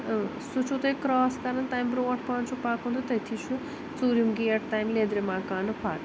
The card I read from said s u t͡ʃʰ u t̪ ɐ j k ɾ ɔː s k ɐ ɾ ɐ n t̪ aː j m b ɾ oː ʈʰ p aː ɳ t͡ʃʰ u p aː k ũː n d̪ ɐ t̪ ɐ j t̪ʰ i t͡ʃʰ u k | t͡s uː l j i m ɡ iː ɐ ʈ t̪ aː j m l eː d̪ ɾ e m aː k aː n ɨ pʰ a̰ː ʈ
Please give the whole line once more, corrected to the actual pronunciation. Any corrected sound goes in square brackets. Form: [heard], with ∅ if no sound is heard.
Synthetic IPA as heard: s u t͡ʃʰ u t̪ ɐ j k ɾ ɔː s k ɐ ɾ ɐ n t̪ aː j m b ɾ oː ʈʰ p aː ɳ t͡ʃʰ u p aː k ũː n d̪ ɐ t̪ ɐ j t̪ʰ i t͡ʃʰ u [∅] | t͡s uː [ɾ] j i m ɡ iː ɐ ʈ t̪ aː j m l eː d̪ ɾ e m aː k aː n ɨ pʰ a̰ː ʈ